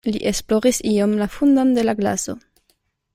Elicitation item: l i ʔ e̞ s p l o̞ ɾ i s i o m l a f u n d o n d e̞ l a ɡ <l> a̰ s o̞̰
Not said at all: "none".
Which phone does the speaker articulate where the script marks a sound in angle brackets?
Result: l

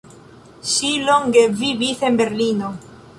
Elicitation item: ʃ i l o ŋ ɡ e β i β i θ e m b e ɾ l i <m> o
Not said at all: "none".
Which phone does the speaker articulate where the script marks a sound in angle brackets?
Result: n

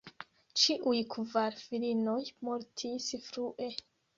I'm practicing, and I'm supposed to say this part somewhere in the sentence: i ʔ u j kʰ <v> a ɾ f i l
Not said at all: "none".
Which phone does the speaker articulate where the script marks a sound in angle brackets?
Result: v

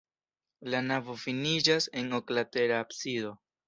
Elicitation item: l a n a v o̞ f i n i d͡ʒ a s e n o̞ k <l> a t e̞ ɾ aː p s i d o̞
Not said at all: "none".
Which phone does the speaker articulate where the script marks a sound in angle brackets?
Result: l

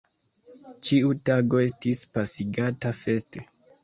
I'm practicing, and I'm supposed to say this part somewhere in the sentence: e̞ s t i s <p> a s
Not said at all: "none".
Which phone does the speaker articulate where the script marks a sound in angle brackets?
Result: p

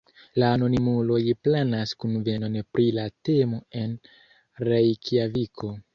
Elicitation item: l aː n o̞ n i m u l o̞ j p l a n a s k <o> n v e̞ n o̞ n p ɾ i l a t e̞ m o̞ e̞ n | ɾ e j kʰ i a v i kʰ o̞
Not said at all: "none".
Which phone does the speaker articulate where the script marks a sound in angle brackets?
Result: u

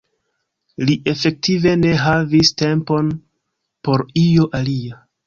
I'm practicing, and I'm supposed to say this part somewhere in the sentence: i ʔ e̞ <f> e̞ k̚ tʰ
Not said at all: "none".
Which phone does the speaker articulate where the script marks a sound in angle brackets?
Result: f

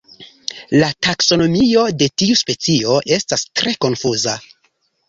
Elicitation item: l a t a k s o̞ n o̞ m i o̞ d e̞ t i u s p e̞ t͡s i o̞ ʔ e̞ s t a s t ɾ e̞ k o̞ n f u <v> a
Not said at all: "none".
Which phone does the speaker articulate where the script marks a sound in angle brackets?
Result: z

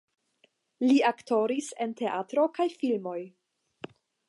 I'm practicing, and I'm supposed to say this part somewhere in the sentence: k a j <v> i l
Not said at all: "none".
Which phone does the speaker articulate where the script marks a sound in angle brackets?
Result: f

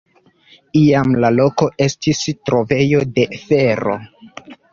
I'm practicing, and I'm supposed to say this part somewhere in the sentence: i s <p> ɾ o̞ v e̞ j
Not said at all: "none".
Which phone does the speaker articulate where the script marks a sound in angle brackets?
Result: t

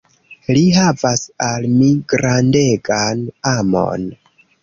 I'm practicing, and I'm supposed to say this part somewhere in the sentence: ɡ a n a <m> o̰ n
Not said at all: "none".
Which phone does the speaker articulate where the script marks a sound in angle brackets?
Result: m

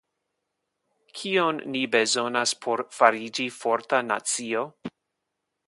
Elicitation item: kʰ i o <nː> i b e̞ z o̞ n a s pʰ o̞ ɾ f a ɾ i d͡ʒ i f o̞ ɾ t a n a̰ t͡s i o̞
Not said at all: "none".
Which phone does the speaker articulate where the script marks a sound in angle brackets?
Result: nː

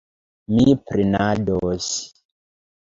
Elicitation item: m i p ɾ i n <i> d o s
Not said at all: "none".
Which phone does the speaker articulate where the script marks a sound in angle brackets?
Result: a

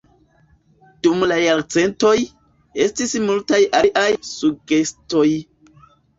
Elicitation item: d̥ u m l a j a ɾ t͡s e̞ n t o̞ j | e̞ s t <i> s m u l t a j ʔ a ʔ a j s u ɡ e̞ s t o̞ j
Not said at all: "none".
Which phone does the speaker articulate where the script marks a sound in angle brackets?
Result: i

